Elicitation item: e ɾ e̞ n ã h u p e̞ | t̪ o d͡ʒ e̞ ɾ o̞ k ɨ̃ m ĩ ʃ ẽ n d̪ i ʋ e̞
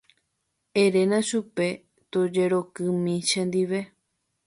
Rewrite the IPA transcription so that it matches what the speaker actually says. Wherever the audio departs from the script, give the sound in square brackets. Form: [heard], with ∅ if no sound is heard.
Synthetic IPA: e ɾ e̞ n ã [ʃ] u p e̞ | t̪ o d͡ʒ e̞ ɾ o̞ k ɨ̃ m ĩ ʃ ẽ n d̪ i ʋ e̞